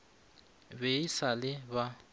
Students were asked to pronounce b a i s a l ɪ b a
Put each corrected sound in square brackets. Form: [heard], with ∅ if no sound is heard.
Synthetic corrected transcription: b [e] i s a l ɪ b a